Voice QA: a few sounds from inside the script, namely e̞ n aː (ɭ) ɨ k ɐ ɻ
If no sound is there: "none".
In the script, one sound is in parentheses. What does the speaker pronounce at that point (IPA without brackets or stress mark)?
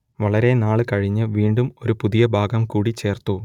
ɭ